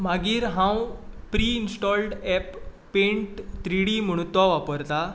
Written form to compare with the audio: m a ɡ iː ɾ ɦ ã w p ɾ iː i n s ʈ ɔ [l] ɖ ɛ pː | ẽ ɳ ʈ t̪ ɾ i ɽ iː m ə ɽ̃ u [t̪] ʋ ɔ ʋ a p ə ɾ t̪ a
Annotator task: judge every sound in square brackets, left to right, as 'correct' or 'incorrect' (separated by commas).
correct, correct